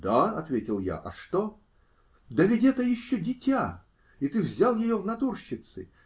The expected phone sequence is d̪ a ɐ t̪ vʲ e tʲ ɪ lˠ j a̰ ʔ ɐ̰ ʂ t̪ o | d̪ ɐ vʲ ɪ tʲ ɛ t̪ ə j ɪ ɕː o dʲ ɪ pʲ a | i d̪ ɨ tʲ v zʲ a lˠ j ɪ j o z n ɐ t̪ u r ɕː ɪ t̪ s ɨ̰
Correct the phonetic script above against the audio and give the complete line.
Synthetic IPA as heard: d̪ a ɐ t̪ vʲ e tʲ ɪ lˠ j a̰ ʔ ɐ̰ ʂ t̪ o | d̪ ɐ vʲ ɪ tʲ ɛ t̪ ə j ɪ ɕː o dʲ ɪ tʲ a | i t̪ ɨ v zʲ a lˠ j ɪ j o v n ɐ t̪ u r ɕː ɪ t̪ s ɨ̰